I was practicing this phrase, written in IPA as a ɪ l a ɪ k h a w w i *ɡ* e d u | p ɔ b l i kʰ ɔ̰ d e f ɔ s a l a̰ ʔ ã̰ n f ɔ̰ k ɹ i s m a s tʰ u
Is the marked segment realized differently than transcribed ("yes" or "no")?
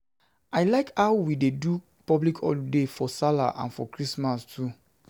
yes